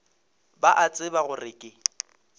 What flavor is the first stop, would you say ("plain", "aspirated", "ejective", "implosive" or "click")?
plain